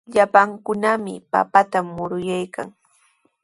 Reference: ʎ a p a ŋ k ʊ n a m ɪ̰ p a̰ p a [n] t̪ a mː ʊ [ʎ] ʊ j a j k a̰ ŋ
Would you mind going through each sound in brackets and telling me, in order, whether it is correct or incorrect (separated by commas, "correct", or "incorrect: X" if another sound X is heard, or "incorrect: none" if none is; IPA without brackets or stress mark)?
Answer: incorrect: none, incorrect: ɾ